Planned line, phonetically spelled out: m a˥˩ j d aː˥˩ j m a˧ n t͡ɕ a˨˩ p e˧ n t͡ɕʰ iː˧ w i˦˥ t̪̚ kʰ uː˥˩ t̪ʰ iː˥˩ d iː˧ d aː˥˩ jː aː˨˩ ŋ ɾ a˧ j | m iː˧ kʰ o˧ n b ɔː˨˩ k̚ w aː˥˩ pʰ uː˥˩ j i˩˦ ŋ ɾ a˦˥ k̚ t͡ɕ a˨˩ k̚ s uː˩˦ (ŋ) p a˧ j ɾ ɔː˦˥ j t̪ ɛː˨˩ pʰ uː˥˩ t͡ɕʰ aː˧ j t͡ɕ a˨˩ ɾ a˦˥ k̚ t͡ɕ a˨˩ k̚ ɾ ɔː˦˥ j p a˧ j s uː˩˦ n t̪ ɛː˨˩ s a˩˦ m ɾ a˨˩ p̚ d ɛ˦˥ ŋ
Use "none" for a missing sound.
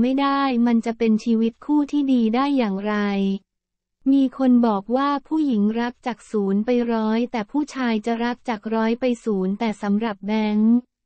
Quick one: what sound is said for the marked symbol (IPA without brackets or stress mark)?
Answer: n